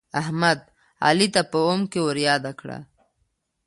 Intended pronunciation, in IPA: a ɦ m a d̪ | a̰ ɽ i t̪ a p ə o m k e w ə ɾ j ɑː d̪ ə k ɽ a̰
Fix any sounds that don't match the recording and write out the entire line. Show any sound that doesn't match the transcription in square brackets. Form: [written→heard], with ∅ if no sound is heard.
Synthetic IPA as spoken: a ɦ m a d̪ | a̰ [ɽ→l] i t̪ a p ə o m k e w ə ɾ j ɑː d̪ [ə→a] k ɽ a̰

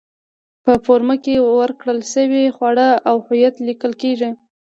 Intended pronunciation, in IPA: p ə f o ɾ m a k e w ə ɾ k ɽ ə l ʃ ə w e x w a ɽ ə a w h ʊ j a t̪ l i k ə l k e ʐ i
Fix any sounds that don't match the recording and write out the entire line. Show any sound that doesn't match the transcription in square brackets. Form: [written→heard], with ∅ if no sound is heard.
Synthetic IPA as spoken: p ə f o ɾ m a k e w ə ɾ k ɽ ə l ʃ ə w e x w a ɽ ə a w h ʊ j a t̪ l i k ə l k e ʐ i

